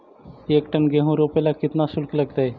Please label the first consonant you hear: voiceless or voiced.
voiceless